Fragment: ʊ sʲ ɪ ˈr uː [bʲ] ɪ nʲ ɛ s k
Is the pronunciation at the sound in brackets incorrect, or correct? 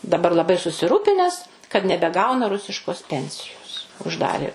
incorrect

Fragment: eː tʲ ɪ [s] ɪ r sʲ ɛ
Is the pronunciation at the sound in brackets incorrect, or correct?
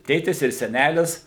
correct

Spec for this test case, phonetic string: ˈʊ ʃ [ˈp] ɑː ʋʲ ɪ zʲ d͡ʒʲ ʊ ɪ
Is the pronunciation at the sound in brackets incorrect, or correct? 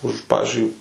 correct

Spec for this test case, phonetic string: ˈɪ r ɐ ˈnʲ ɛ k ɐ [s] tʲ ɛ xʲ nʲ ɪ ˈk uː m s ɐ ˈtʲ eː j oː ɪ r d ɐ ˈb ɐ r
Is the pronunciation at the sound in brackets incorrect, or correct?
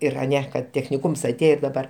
incorrect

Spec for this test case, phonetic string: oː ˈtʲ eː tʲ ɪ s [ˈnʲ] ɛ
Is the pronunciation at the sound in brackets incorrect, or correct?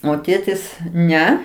correct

